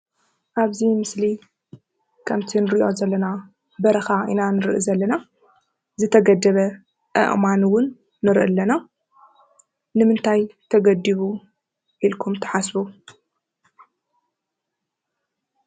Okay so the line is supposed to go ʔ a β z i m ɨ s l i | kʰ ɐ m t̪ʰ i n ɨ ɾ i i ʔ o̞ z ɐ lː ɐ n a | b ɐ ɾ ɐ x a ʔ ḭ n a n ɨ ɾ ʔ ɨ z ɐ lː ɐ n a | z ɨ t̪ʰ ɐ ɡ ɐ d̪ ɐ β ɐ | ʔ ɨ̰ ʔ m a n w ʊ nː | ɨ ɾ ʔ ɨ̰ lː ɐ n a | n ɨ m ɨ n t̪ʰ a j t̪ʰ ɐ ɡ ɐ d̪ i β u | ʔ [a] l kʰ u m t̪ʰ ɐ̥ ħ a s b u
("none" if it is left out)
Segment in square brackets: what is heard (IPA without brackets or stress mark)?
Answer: i